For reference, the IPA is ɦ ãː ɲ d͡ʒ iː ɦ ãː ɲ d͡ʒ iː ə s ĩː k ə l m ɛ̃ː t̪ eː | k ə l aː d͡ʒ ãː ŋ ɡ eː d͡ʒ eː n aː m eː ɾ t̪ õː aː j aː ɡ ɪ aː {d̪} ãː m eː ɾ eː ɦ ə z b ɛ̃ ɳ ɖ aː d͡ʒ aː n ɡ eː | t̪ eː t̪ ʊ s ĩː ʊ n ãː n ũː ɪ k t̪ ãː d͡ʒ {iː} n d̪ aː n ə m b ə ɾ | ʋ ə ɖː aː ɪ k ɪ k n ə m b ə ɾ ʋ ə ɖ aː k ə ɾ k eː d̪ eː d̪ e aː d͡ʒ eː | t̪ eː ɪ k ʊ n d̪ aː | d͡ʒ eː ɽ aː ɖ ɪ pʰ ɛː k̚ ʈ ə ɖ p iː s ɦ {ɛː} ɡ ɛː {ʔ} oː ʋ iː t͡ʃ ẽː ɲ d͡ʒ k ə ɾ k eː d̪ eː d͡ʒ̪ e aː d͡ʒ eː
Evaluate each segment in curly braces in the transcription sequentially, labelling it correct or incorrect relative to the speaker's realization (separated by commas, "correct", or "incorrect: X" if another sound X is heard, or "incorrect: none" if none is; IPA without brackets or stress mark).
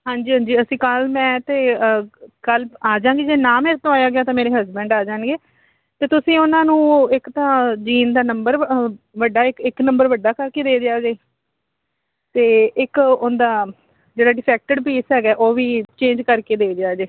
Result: incorrect: t̪, correct, correct, correct